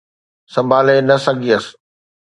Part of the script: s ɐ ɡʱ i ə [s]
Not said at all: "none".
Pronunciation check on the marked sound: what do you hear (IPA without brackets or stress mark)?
s